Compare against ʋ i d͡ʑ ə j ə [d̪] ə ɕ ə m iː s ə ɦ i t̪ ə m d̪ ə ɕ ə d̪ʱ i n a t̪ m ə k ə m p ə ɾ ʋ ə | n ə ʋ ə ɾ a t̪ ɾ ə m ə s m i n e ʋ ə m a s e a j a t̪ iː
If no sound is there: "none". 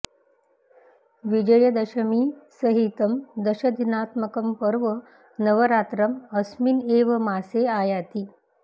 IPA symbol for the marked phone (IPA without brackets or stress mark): d̪